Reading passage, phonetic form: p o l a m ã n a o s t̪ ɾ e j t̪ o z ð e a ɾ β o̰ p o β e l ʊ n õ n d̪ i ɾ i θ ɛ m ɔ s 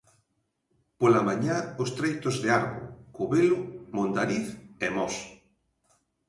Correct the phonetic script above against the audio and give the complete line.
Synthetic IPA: p o l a m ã ɲ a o s t̪ ɾ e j t̪ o z ð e a ɾ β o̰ k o β e l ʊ m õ n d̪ a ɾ i θ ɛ m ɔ s